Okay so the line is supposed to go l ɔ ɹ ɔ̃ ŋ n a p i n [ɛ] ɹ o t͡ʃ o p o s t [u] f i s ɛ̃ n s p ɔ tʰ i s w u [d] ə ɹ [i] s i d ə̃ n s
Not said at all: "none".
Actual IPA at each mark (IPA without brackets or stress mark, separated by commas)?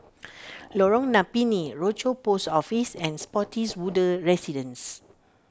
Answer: i, ɔ, d, ɛ